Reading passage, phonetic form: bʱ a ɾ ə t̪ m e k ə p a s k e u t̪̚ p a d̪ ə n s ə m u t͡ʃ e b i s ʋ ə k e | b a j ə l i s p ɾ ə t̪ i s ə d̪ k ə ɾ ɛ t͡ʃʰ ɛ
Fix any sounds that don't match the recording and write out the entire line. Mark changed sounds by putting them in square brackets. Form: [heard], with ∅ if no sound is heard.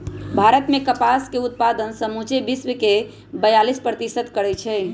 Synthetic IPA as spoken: bʱ a ɾ ə t̪ m e k ə p a s k e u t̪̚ p a d̪ ə n s ə m u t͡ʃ e b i s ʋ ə k e | b [ə] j [a] l i s p ɾ ə t̪ i s ə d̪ k ə ɾ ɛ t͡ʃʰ ɛ